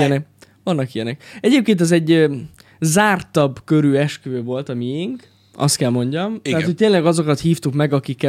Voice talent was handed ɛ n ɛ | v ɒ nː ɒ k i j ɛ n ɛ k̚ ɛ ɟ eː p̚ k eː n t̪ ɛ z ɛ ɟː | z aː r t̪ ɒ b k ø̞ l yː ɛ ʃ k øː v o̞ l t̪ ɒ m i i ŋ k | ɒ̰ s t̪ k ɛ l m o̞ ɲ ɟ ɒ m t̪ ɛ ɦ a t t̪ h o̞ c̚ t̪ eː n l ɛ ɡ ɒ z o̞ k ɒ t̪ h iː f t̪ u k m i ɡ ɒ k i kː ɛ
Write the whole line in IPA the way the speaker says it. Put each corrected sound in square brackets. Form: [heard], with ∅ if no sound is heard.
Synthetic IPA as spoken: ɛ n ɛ | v ɒ nː ɒ k i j ɛ n ɛ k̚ ɛ ɟ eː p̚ k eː n t̪ ɛ z ɛ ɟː | z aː r t̪ ɒ b k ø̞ [ɾ] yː ɛ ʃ k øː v o̞ l t̪ ɒ m i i ŋ k | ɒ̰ s t̪ k ɛ l m o̞ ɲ ɟ ɒ m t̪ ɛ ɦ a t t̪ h o̞ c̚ t̪ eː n l ɛ ɡ ɒ z o̞ k ɒ t̪ h iː f t̪ u k m [ɛ] ɡ ɒ k i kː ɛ